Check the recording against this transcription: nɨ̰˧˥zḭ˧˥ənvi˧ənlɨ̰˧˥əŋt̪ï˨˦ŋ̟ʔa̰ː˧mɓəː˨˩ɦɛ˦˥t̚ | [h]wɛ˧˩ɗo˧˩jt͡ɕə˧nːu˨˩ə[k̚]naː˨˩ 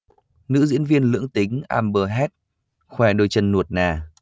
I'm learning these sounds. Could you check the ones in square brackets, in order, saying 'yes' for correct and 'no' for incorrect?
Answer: no, no

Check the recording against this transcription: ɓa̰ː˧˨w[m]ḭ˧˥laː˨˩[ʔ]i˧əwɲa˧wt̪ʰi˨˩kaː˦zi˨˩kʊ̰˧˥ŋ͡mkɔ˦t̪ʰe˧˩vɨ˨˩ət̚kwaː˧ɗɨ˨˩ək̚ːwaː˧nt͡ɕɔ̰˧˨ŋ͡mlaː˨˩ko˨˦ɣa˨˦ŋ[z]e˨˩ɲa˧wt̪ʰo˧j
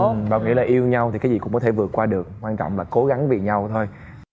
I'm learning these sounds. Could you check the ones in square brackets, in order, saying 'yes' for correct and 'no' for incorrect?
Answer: no, yes, no

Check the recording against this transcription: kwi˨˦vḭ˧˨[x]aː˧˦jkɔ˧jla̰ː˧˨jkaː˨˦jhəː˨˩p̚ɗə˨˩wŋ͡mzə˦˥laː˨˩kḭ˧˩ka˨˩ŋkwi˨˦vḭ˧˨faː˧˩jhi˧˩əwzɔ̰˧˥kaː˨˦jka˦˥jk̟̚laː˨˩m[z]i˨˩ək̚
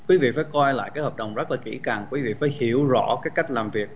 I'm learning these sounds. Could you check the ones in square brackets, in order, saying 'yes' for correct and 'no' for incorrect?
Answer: no, no

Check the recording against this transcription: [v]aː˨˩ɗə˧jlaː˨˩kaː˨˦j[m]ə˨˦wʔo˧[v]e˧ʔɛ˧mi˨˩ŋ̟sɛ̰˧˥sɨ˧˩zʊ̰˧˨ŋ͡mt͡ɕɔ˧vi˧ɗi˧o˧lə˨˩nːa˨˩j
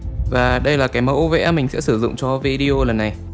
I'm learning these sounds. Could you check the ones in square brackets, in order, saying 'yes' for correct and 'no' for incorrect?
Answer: yes, yes, yes

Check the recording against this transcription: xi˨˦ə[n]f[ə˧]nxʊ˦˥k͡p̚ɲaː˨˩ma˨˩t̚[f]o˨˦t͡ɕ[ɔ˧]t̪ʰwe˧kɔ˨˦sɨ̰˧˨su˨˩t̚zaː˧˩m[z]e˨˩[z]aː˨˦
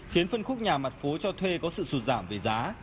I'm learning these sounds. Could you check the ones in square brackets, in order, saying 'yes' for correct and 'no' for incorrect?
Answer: yes, yes, yes, yes, no, yes

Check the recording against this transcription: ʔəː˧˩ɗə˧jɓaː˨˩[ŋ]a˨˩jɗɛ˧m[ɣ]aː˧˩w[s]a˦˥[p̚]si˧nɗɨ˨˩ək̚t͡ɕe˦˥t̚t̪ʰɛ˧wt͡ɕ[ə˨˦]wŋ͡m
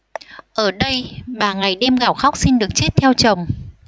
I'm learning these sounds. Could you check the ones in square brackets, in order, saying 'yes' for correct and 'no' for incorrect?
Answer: yes, yes, no, no, no

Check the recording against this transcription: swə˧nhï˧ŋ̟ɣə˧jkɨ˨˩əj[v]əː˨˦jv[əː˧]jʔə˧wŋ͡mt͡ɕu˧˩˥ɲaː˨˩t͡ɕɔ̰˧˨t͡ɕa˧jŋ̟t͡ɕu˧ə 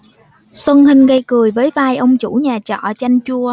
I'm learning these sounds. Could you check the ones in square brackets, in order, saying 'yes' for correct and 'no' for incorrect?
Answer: yes, no

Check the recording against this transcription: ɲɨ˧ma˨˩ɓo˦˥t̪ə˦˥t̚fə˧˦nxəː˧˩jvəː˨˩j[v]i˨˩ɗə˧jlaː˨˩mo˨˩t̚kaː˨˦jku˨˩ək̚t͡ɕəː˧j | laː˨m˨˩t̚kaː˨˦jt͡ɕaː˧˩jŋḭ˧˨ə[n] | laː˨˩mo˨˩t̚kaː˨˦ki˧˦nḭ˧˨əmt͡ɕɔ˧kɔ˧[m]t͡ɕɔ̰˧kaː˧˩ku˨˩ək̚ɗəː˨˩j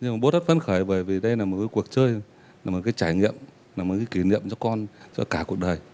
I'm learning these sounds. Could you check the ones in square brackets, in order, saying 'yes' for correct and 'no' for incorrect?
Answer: yes, no, no

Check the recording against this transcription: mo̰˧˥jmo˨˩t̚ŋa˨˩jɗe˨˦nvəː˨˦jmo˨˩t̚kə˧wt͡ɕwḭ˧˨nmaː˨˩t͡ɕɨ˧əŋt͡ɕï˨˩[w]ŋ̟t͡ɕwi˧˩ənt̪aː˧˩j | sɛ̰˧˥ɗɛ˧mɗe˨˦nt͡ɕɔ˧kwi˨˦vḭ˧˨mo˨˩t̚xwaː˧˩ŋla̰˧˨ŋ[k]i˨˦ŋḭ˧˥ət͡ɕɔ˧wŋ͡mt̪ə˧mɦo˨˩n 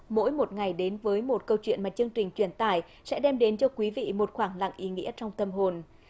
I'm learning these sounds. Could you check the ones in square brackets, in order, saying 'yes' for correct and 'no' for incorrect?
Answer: no, no

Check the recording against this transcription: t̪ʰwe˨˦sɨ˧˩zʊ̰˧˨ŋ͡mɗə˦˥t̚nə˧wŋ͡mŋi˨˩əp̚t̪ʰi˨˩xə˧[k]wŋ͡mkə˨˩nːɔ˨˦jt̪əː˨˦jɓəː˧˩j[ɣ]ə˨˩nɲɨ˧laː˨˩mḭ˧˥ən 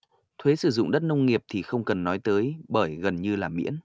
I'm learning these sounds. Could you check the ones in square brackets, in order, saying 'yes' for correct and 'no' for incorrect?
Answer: no, yes

